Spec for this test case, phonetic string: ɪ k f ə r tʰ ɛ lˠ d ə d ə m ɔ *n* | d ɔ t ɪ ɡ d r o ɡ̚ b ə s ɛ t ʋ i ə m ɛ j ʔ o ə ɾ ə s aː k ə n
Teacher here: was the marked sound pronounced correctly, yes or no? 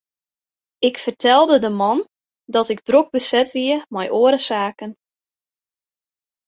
yes